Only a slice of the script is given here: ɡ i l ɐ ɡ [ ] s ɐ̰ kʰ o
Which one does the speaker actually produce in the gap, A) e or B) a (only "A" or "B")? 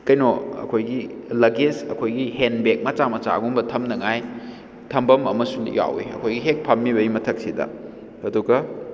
A